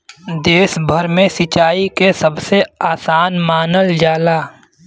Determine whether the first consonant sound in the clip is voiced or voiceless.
voiced